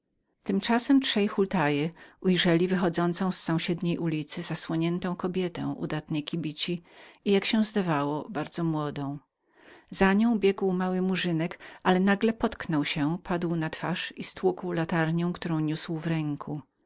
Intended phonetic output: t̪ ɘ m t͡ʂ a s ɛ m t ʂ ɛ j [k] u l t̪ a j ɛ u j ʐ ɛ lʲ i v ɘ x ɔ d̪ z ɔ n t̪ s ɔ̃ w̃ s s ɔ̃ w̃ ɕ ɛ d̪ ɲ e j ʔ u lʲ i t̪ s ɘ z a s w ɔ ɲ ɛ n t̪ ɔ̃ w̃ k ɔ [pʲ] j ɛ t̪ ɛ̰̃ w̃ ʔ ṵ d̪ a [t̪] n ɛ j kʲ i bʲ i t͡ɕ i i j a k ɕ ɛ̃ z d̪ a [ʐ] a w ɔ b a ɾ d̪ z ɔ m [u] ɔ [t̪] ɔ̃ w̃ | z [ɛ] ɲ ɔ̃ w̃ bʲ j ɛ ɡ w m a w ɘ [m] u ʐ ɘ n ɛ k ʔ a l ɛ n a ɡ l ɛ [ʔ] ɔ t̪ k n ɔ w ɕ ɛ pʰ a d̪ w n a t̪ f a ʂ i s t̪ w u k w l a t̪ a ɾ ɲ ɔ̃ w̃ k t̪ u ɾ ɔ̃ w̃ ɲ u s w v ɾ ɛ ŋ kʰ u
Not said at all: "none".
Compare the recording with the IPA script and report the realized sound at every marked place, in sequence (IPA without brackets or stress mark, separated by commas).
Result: x, bʲ, t̪, v, w, d̪, a, m, p